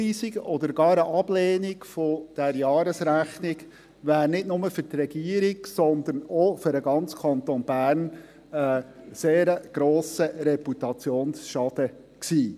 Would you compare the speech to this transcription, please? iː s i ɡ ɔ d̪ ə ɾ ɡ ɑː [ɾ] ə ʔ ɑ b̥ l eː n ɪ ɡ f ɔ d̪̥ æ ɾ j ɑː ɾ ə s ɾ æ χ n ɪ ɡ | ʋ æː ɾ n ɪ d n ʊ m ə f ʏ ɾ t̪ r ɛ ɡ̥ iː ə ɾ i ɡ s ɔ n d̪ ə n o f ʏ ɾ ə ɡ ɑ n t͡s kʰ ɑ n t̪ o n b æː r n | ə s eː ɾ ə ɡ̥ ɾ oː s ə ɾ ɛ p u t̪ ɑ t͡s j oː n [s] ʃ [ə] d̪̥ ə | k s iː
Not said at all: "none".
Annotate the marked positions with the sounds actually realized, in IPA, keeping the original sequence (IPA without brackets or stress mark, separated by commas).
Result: ɾ, s, ɑ